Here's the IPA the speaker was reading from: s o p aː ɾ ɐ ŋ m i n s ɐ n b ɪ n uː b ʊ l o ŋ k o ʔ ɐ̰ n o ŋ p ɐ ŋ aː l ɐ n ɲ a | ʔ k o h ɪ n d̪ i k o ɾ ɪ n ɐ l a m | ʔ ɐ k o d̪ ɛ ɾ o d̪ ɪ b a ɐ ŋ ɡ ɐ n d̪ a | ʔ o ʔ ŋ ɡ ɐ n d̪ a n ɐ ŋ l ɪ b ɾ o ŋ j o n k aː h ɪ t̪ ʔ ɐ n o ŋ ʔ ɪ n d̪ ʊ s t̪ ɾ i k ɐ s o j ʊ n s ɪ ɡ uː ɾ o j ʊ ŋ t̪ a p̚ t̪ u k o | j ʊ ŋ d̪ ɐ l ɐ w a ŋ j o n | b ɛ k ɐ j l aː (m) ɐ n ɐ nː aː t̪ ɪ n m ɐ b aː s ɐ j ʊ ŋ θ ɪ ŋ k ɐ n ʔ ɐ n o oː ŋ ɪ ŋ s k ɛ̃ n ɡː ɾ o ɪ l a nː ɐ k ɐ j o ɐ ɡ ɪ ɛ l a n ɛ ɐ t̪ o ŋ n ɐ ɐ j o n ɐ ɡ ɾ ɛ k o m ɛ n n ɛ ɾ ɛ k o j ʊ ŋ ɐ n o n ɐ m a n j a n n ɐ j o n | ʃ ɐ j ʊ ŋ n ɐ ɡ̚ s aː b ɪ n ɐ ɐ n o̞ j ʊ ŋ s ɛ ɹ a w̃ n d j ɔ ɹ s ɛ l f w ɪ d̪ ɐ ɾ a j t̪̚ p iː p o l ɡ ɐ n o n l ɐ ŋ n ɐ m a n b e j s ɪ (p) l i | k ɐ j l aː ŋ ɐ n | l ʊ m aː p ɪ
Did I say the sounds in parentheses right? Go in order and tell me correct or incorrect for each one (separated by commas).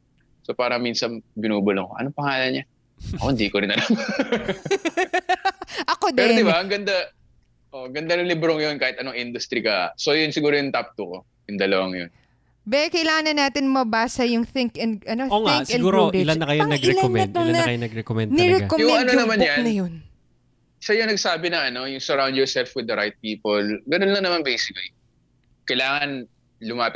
incorrect, incorrect